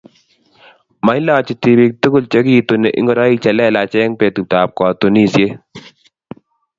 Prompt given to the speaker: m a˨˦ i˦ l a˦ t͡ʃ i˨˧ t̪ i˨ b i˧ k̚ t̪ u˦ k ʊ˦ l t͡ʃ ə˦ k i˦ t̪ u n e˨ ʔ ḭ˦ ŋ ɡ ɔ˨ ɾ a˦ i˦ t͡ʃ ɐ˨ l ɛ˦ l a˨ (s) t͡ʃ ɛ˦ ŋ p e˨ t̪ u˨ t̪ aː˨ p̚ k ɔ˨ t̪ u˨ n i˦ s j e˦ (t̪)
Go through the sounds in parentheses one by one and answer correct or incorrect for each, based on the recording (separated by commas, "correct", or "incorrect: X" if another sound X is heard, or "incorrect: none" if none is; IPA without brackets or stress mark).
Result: incorrect: none, incorrect: none